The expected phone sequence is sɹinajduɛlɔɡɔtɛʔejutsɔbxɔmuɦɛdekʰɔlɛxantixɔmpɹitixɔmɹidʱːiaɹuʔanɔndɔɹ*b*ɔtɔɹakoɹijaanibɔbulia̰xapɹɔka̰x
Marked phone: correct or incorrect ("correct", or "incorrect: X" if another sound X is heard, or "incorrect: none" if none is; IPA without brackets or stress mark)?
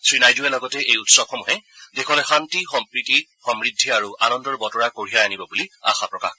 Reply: correct